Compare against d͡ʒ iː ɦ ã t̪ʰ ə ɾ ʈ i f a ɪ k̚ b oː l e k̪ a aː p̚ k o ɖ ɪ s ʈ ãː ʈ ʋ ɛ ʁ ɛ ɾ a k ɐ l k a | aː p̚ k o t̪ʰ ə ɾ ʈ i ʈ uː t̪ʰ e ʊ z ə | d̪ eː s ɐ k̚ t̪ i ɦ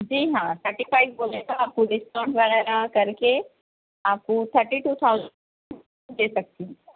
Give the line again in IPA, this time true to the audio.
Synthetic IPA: d͡ʒ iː ɦ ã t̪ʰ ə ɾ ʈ i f a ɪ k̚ b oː l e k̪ a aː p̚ k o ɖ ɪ s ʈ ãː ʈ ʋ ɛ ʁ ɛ ɾ a k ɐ ɾ k e | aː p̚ k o t̪ʰ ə ɾ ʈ i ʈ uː t̪ʰ a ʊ z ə | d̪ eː s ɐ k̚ t̪ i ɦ